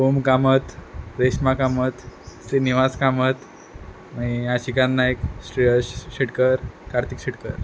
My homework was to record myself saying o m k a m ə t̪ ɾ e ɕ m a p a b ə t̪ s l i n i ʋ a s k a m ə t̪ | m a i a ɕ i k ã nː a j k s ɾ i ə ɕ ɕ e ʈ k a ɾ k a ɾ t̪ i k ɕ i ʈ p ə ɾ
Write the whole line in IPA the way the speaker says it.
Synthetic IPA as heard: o m k a m ə t̪ ɾ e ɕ m a k a m ə t̪ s ɾ i n i ʋ a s k a m ə t̪ | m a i a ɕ i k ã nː a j k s ɾ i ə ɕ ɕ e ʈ k ə ɾ k a ɾ t̪ i k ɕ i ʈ k ə ɾ

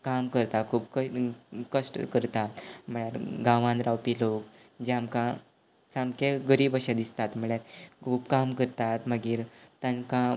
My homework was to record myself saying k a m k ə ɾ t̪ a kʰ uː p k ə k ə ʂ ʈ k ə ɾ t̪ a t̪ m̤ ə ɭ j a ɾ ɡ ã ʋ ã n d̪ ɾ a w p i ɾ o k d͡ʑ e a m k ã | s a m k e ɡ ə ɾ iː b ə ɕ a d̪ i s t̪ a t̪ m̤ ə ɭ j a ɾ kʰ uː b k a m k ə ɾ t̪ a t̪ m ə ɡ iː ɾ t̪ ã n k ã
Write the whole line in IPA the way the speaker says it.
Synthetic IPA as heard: k a m k ə ɾ t̪ a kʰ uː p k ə k ə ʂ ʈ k ə ɾ t̪ a t̪ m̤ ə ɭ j a ɾ ɡ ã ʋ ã n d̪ ɾ a w p i l o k d͡ʑ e a m k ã | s a m k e ɡ ə ɾ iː b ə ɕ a d̪ i s t̪ a t̪ m̤ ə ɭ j a ɾ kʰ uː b k a m k ə ɾ t̪ a t̪ m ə ɡ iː ɾ t̪ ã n k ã

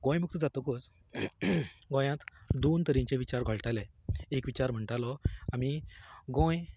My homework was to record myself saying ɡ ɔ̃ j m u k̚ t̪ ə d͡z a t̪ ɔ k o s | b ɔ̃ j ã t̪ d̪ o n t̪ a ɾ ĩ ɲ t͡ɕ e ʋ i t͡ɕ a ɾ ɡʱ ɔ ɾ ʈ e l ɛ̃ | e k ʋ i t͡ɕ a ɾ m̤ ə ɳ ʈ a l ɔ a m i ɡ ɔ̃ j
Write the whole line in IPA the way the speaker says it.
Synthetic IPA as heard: ɡ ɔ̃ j m u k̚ t̪ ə d͡z a t̪ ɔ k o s | ɡ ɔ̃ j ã t̪ d̪ o n t̪ ə ɾ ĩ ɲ t͡ɕ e ʋ i t͡ɕ a ɾ ɡʱ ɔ ɭ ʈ a l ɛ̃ | e k ʋ i t͡ɕ a ɾ m̤ ə ɳ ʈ a l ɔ a m i ɡ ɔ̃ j

